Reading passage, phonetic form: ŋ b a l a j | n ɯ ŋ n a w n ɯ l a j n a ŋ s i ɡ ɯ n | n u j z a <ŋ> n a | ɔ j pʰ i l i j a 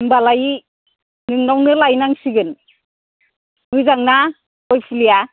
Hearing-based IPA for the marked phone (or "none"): ŋ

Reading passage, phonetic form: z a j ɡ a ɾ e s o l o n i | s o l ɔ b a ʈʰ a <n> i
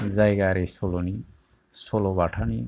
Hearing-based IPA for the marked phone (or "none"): n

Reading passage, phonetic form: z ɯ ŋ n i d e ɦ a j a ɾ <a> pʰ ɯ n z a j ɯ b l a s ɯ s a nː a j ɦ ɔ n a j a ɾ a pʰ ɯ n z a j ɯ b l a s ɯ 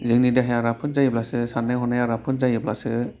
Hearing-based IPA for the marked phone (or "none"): a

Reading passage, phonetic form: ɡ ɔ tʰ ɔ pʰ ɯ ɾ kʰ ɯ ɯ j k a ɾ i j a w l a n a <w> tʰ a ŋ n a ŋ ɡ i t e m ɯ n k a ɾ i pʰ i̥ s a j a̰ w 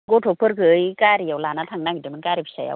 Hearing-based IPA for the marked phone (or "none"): none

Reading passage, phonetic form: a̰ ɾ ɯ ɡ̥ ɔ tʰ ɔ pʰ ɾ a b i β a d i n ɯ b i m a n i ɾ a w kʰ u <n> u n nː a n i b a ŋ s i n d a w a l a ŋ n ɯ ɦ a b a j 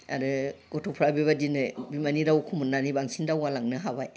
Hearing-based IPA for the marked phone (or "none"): m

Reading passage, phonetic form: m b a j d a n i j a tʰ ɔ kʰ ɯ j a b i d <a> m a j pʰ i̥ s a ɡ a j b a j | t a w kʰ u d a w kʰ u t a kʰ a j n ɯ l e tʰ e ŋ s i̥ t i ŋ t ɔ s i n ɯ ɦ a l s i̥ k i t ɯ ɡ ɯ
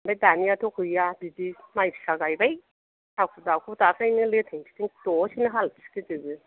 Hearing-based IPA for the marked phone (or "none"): i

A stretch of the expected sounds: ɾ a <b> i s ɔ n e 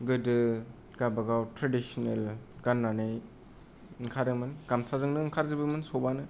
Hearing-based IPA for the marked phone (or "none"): d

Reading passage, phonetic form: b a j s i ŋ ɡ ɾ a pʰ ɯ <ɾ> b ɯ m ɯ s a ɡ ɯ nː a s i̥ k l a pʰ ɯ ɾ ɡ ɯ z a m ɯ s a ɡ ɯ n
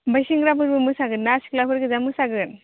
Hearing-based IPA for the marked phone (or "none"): ɾ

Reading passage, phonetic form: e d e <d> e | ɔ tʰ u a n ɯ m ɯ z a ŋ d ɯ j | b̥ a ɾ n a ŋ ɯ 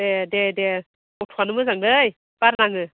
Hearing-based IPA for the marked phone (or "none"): d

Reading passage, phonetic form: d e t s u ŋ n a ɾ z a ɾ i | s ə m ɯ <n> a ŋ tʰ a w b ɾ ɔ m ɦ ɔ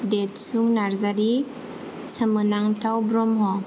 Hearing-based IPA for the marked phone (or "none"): n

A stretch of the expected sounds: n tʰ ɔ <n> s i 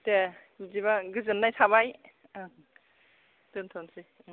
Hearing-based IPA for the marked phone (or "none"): n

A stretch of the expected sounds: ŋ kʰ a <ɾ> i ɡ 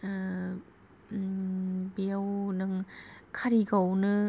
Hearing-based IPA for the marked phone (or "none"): ɾ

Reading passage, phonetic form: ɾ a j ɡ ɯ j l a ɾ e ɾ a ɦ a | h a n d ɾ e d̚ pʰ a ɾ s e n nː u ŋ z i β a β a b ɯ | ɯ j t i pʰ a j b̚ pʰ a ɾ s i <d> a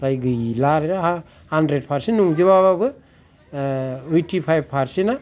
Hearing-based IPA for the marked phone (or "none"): n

